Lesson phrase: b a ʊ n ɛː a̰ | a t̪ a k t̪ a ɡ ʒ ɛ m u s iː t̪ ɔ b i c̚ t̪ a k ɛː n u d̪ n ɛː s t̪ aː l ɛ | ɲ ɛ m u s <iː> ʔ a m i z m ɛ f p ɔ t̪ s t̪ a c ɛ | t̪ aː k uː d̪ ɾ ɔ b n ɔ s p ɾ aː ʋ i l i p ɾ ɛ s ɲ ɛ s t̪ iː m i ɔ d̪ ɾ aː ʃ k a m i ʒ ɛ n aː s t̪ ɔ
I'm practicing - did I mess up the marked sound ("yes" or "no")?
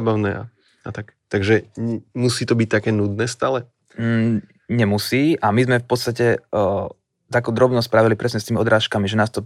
no